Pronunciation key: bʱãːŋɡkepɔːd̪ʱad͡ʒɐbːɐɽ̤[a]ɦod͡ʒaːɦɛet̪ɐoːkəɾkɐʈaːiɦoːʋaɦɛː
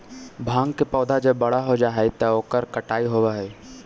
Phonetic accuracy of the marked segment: correct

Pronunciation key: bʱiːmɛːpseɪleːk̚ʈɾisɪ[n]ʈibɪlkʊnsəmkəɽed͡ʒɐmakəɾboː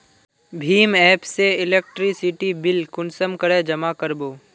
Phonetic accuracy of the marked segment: incorrect: none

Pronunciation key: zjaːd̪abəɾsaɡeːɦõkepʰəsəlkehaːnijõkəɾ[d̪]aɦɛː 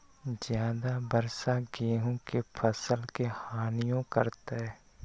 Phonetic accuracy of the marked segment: incorrect: t̪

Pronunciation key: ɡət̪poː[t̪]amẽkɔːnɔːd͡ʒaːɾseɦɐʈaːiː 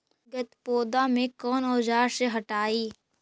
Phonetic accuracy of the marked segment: incorrect: d̪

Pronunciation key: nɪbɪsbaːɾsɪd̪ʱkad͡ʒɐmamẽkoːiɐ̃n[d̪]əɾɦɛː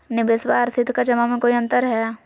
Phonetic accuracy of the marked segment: incorrect: t̪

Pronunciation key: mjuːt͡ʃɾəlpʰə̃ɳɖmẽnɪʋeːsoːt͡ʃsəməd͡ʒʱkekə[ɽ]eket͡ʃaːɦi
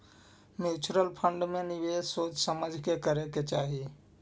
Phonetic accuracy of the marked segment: incorrect: ɾ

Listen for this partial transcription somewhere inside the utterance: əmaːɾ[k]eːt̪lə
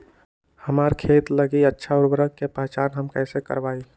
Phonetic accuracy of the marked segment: incorrect: kʰ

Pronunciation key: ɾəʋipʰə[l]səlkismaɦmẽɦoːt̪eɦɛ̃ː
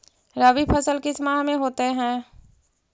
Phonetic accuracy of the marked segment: incorrect: none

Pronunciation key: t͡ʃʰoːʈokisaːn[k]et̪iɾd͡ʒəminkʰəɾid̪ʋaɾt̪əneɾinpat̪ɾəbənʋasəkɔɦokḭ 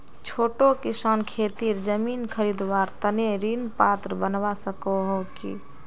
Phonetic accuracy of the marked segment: incorrect: kʰ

